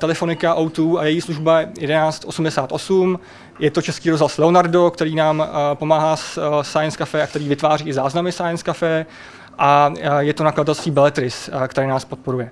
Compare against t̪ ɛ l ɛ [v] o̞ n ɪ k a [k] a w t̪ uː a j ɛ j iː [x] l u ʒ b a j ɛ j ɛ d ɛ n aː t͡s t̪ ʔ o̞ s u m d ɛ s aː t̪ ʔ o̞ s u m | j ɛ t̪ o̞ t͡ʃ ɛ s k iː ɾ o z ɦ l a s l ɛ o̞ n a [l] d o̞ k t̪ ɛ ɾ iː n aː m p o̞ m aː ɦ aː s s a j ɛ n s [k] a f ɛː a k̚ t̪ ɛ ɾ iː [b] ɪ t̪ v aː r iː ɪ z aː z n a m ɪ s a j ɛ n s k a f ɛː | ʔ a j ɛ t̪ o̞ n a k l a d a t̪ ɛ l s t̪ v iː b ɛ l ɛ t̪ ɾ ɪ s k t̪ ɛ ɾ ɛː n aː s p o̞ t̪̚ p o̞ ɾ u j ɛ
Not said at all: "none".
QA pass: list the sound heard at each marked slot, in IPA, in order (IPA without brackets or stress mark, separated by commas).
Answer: f, ʔ, s, ɾ, k, v